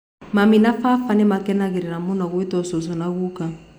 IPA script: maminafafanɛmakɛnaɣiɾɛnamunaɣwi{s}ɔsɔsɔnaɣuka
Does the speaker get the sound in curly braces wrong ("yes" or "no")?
yes